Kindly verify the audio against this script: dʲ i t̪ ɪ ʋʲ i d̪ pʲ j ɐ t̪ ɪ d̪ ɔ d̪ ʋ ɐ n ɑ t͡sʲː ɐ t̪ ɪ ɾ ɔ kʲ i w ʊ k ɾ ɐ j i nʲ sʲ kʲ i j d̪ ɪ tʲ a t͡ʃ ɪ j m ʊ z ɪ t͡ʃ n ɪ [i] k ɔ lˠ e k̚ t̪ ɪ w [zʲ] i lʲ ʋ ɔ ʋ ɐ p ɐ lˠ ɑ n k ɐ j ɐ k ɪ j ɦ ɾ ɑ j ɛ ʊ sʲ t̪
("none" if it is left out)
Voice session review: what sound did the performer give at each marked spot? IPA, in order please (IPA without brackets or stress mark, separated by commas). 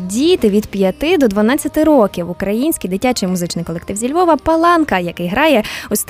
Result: j, zʲ